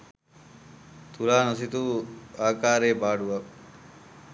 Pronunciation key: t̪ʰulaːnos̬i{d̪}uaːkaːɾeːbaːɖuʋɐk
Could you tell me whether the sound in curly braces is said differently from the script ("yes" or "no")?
yes